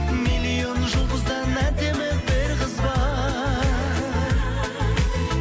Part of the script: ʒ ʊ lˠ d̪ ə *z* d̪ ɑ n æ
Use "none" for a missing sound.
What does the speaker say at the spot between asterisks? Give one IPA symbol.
z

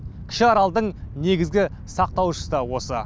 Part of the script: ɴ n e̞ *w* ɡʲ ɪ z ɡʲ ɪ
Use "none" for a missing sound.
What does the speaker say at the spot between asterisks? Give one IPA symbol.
none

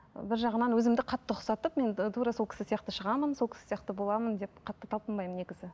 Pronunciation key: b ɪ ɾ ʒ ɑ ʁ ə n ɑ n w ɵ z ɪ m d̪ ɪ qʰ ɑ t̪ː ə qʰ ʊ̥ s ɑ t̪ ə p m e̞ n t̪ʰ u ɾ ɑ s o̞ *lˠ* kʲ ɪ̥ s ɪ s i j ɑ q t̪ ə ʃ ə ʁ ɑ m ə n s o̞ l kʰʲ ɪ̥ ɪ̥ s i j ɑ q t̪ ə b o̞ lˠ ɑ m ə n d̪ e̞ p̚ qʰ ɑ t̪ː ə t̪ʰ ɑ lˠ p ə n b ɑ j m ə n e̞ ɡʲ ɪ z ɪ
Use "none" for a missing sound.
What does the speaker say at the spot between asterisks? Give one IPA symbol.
lˠ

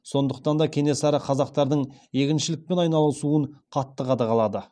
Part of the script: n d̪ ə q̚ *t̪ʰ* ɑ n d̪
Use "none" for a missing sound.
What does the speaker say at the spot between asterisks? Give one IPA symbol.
t̪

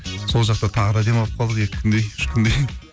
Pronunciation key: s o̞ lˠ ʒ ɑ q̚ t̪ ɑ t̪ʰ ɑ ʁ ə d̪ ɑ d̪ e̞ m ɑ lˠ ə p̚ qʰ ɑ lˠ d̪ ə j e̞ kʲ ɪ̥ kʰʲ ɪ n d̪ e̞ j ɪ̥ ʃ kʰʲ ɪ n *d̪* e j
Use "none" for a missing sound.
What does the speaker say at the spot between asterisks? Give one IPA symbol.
d̪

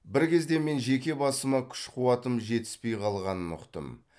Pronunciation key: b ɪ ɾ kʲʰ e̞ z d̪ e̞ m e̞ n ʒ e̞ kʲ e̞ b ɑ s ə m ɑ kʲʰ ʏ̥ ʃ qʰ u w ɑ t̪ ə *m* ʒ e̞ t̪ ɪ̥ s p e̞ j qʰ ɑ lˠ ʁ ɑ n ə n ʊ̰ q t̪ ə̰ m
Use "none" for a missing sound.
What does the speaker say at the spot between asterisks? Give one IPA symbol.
m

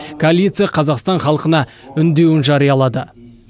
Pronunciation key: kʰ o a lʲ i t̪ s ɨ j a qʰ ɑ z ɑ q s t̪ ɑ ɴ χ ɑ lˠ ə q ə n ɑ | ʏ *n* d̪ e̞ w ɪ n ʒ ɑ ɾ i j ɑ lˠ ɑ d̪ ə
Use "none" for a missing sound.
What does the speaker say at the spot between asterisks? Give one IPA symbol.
n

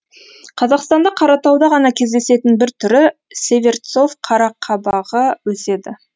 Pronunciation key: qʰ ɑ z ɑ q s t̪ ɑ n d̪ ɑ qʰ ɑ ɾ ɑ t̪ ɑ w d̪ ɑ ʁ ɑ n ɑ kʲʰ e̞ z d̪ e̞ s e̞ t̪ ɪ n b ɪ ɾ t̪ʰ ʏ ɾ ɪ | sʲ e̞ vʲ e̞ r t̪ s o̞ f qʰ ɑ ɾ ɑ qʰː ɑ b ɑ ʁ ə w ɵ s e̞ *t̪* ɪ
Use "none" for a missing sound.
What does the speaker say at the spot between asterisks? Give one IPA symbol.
d̪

